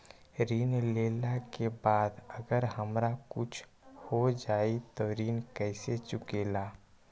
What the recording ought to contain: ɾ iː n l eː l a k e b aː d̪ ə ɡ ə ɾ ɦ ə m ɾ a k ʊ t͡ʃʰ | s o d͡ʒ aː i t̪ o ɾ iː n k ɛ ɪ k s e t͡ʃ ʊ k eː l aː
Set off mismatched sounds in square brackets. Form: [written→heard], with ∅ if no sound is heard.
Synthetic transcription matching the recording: ɾ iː n l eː l a k e b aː d̪ ə ɡ ə ɾ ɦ ə m ɾ a k ʊ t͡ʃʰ | [s→h] o d͡ʒ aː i t̪ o ɾ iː n k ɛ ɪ [k→∅] s e t͡ʃ ʊ k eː l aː